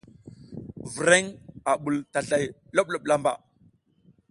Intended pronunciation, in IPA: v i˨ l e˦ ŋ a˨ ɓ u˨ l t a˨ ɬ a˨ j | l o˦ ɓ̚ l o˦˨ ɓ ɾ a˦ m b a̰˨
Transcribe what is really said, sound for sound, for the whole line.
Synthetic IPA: v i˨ ɾ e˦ ŋ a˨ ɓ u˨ l t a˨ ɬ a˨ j | l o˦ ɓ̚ l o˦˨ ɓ l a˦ m b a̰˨